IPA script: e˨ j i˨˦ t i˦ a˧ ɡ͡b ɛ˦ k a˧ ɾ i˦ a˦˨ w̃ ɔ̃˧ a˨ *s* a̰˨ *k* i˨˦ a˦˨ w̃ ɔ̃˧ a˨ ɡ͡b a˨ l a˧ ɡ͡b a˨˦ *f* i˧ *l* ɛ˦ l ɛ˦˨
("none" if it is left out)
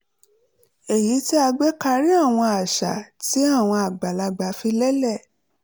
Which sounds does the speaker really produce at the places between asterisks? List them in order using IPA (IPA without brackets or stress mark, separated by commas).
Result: ʃ, t, f, l